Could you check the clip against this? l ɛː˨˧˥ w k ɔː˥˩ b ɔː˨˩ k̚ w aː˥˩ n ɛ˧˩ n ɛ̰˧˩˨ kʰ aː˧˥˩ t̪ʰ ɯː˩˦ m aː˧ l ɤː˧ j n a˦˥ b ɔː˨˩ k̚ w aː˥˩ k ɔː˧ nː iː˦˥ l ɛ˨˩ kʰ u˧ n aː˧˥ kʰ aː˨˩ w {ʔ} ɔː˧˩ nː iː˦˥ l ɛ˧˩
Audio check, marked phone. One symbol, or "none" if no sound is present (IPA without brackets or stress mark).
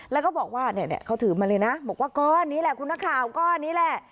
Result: k